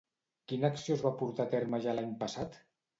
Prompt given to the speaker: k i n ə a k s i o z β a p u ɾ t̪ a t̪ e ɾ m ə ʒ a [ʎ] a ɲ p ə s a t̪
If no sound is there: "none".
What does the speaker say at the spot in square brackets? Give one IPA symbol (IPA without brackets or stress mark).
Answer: l